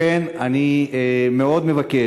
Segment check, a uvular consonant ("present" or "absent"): absent